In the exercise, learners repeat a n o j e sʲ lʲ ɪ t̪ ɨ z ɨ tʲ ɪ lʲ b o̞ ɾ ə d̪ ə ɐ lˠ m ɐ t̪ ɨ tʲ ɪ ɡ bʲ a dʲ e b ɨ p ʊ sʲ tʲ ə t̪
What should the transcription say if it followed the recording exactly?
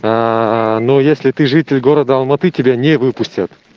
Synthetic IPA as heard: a n o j e sʲ lʲ ɪ t̪ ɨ ʐ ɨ tʲ ɪ lʲ ɡ o̞ ɾ ə d̪ ə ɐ lˠ m ɐ t̪ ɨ tʲ ɪ bʲ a nʲ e v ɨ p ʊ sʲ tʲ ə t̪